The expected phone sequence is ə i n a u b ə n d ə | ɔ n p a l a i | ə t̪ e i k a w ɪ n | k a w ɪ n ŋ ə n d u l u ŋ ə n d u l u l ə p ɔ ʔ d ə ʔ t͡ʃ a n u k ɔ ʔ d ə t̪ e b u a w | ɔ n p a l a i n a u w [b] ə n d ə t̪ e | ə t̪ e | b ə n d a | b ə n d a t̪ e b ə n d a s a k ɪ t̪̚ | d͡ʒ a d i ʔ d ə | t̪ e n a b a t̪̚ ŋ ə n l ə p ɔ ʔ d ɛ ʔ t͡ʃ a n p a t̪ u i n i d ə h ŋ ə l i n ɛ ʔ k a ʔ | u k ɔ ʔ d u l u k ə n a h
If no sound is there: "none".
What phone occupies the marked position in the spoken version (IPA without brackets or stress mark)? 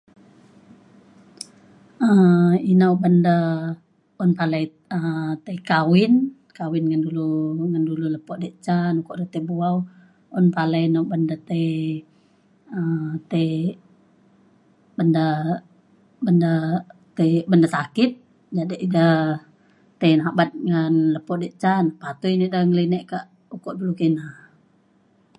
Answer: b